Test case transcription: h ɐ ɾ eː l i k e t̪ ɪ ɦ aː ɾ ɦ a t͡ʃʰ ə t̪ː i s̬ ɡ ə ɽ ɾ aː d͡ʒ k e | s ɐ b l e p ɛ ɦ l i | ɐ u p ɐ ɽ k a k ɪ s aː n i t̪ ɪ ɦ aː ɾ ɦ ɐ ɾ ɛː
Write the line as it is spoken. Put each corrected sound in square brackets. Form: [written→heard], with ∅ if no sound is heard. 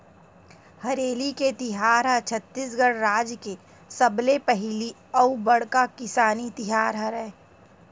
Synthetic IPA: h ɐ ɾ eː l i k e t̪ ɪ ɦ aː ɾ ɦ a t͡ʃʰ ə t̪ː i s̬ ɡ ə ɽ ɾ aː d͡ʒ k e | s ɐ b l e p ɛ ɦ l i | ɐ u [p→b] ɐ ɽ k a k ɪ s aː n i t̪ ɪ ɦ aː ɾ ɦ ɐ ɾ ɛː